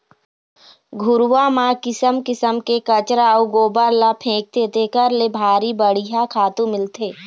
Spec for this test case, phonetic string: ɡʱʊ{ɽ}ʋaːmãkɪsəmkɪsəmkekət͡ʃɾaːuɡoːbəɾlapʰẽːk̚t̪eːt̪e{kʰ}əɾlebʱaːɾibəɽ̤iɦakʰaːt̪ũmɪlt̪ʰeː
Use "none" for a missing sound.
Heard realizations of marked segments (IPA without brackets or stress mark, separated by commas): ɾ, k